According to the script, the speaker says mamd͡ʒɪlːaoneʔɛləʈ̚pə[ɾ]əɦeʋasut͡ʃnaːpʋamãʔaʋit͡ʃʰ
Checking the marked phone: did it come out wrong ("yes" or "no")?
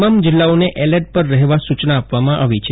yes